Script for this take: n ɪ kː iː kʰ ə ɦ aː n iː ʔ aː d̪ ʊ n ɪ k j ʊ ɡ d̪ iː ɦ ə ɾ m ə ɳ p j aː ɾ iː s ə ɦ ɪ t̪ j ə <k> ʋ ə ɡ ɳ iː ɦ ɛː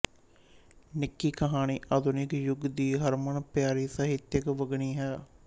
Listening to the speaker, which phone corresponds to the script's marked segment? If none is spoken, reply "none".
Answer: k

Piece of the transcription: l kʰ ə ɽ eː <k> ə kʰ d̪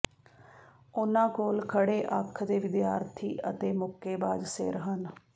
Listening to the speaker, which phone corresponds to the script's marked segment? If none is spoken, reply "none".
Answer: ʔ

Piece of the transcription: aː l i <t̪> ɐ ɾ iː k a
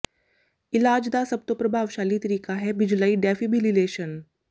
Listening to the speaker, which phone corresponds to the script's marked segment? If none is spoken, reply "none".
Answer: t̪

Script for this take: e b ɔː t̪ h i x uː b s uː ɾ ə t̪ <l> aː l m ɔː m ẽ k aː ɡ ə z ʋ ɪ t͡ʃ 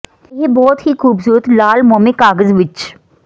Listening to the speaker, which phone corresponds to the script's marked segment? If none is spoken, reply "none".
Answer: l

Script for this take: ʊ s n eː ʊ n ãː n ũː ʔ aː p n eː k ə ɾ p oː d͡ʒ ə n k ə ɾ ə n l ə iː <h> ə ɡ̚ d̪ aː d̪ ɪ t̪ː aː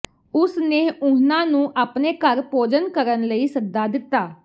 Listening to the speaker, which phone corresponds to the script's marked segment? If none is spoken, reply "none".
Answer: s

